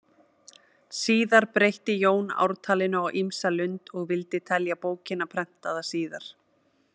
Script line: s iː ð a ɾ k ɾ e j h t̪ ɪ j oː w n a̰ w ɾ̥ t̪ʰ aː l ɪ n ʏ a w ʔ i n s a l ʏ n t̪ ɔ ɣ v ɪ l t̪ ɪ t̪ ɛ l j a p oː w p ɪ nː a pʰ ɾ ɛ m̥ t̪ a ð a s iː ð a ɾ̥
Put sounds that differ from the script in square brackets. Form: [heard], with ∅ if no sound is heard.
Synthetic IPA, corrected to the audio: s iː ð a ɾ [p] ɾ e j h t̪ ɪ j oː w n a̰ w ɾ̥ t̪ʰ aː l ɪ n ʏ a w ʔ i [m] s a l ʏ n t̪ ɔ ɣ v ɪ l t̪ ɪ [t̪ʰ] ɛ l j a p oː w [c] ɪ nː a pʰ ɾ ɛ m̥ t̪ a ð a s iː ð a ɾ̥